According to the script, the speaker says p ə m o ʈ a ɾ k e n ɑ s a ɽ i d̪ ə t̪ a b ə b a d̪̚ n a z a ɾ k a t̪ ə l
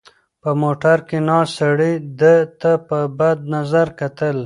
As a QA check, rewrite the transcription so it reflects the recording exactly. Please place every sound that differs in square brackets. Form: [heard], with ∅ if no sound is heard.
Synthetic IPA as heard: p ə m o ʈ a ɾ k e n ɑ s a ɽ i d̪ ə t̪ a [p] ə b a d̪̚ n a z a ɾ k a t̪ ə l

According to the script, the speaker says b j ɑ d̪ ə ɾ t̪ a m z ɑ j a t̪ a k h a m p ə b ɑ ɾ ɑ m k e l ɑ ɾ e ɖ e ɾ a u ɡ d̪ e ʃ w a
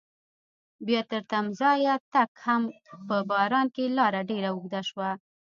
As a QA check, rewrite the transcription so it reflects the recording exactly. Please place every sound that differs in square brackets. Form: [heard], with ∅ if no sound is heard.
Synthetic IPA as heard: b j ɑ [t̪] ə ɾ t̪ a m z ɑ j a t̪ a k h a m p ə b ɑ ɾ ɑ [n] k e l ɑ ɾ [a] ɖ e ɾ a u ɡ d̪ [a] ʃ w a

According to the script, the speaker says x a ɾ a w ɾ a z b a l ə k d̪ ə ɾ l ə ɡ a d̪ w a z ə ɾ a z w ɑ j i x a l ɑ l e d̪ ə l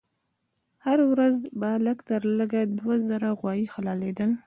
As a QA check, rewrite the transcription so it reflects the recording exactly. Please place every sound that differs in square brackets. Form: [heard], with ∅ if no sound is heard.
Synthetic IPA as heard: [h] a ɾ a w ɾ a z b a l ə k [t̪] ə ɾ l ə ɡ a d̪ w a z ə ɾ a [ɣ] w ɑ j i x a l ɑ l e d̪ ə l

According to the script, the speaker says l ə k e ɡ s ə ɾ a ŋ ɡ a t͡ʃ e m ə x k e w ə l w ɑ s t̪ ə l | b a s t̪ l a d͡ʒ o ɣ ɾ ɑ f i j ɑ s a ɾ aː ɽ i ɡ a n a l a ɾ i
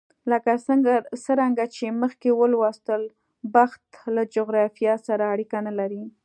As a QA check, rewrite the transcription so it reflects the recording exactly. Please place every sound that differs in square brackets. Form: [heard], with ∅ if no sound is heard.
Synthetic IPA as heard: l ə k [a] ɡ s ə ɾ a ŋ ɡ a t͡ʃ e m ə x k e w ə l w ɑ s t̪ ə l | b a [x] t̪ l a d͡ʒ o ɣ ɾ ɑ f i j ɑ s a ɾ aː ɽ i [k] a n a l a ɾ i

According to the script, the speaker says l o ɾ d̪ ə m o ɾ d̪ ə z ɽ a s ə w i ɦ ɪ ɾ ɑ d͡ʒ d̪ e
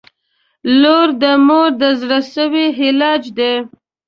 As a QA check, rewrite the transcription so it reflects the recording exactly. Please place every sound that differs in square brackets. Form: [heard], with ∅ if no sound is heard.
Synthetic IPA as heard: l o ɾ d̪ ə m o ɾ d̪ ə z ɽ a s ə w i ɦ ɪ [l] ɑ d͡ʒ d̪ e

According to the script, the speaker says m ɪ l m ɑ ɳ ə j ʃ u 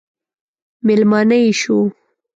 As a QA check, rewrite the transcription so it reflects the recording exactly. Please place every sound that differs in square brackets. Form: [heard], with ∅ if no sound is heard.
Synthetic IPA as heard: m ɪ l m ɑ [n] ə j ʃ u

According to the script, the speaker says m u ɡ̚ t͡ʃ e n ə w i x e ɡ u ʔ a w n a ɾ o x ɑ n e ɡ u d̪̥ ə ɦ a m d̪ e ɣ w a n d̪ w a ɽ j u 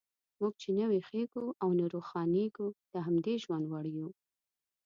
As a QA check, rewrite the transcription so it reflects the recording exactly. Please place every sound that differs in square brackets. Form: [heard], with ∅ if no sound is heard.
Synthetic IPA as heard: m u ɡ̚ t͡ʃ e n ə w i x e ɡ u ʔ a w n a ɾ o x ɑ n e ɡ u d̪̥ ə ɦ a m d̪ e [ʒ] w a n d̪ w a ɽ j u

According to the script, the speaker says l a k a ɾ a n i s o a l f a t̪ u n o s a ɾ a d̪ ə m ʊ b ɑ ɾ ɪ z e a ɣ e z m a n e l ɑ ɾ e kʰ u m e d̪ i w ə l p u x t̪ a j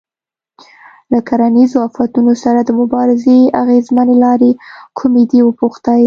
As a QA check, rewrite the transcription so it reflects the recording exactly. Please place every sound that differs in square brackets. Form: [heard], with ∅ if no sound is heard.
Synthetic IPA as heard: l a k a ɾ a n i [z] o a [∅] f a t̪ u n o s a ɾ a d̪ ə m ʊ b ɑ ɾ ɪ z e a ɣ e z m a n e l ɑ ɾ e kʰ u m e d̪ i w ə [∅] p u x t̪ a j

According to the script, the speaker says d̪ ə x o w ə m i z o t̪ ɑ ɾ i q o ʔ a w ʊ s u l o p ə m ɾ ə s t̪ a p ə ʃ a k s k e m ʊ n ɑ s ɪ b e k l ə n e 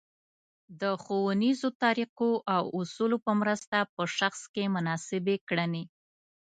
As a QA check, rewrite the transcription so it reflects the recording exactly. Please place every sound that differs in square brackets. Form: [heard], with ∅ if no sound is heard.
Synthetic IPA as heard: d̪ ə x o w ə [n] i z o t̪ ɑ ɾ i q o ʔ a w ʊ s u l o p ə m ɾ ə s t̪ a p ə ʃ a [x] s k e m ʊ n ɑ s ɪ b e k [ɽ] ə n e

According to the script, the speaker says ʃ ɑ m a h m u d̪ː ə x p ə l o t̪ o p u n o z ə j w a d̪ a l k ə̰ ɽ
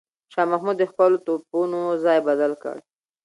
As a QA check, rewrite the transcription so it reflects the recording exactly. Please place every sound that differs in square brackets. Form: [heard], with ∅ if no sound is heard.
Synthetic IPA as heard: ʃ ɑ m a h m u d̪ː ə x p ə l o t̪ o p u n o z [ɑ] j [b] a d̪ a l k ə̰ ɽ

